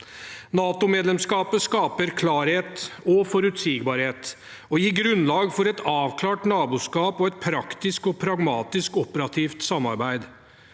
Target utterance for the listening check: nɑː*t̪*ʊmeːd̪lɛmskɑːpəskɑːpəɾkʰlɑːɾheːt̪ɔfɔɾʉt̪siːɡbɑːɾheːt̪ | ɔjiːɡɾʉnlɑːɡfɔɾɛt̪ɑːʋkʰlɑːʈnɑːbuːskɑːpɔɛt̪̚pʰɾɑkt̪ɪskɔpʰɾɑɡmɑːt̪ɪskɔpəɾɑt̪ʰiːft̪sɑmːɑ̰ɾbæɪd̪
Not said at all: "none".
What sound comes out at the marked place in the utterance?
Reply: t̪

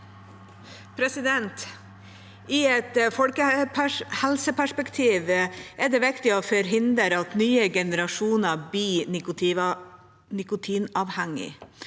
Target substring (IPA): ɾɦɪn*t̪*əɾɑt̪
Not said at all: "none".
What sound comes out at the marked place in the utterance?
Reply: d̪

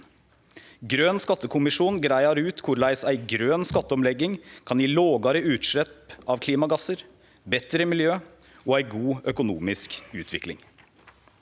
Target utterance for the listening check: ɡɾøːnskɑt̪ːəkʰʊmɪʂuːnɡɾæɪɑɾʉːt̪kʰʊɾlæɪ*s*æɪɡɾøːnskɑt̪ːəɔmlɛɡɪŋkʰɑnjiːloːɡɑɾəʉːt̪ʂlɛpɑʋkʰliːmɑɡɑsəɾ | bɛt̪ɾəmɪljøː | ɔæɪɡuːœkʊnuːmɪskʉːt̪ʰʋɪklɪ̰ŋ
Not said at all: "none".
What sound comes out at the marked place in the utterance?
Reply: s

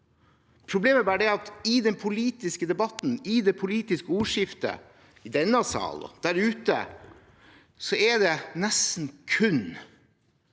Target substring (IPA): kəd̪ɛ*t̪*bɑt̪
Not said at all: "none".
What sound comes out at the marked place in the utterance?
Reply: none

